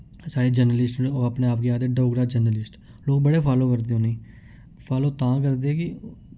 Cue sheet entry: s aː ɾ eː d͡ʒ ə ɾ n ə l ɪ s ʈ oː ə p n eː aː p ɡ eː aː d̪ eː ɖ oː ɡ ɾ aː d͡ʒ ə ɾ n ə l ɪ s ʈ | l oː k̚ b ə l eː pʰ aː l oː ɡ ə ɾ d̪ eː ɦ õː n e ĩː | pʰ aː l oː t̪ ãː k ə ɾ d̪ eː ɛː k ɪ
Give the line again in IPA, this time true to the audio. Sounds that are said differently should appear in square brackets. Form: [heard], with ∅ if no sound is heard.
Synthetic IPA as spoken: s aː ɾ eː d͡ʒ ə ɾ n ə l ɪ s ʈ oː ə p n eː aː p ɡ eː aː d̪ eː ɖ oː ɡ ɾ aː d͡ʒ ə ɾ n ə l ɪ s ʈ | l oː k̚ b ə [ɽ] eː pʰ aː l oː [k] ə ɾ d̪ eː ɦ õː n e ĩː | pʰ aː l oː t̪ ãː k ə ɾ d̪ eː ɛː k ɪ